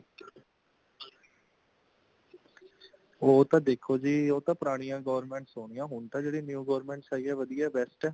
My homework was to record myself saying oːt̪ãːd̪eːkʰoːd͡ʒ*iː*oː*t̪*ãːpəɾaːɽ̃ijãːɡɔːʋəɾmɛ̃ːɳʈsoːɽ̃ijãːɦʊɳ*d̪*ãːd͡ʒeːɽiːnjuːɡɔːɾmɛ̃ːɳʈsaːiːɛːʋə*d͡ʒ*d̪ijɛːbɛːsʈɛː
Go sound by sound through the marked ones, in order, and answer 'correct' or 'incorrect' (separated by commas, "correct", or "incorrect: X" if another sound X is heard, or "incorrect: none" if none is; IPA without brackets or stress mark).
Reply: correct, correct, incorrect: t̪, incorrect: none